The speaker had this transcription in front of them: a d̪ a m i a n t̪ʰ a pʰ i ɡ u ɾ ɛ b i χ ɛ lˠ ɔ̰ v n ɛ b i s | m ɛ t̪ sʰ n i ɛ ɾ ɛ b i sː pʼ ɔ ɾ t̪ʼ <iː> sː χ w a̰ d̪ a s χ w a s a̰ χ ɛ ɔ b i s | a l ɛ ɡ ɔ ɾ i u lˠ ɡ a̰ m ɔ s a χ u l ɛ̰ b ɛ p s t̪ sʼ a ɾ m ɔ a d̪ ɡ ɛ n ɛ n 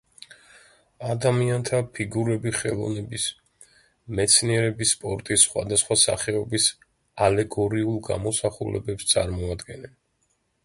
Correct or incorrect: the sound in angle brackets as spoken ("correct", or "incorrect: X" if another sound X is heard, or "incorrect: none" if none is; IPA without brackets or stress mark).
incorrect: i